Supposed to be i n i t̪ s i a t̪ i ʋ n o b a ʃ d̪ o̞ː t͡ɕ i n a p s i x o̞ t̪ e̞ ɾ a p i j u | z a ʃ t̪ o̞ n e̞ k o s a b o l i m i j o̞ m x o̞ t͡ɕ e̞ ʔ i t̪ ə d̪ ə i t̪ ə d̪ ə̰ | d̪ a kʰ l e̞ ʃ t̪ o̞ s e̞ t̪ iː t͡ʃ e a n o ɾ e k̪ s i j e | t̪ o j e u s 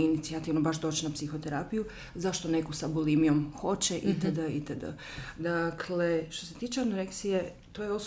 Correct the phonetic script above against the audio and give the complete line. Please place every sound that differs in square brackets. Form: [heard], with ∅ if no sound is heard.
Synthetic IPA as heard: i n i t̪ s i a t̪ i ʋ n o b a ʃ d̪ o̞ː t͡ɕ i n a p s i x o̞ t̪ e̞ ɾ a p i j u | z a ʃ t̪ o̞ n e̞ k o s a b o l i m i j o̞ m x o̞ t͡ɕ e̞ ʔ i t̪ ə d̪ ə i t̪ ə d̪ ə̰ | d̪ a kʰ l e̞ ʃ t̪ o̞ s e̞ t̪ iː t͡ʃ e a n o ɾ e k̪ s i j e | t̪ o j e [o] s